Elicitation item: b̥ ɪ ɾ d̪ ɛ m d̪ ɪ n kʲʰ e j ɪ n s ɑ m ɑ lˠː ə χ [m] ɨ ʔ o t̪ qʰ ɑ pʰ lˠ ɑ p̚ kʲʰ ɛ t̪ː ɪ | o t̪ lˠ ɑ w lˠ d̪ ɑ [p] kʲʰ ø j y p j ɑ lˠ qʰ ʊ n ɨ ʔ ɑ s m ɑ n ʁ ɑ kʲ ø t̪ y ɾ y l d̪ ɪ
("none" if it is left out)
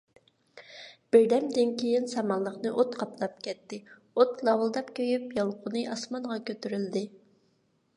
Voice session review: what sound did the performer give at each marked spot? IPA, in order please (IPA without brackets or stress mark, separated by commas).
n, p